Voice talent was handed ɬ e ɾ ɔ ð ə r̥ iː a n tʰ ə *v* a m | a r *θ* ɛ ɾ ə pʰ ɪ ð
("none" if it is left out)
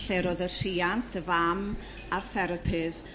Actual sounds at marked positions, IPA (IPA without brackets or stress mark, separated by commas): v, θ